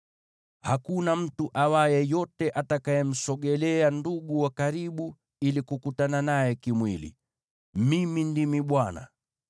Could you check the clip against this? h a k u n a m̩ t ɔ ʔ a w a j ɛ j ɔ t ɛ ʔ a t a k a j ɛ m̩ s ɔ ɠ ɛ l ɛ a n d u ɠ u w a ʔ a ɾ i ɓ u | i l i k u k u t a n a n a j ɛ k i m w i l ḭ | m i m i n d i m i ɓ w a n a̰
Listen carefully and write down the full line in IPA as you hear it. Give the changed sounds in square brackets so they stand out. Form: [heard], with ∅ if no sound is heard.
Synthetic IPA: h a k u n a m̩ t [u] ʔ a w a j ɛ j ɔ t ɛ ʔ a t a k a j ɛ m̩ s ɔ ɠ ɛ l ɛ a n d u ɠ u w a [k] a ɾ i ɓ u | i l i k u k u t a n a n a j ɛ k i m w i l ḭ | m i m i n d i m i ɓ w a n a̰